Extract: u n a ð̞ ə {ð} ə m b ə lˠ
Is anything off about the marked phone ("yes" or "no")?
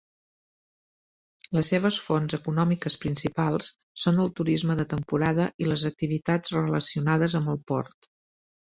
yes